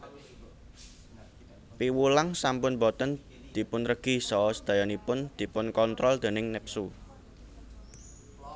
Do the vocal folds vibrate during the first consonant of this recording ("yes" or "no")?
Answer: no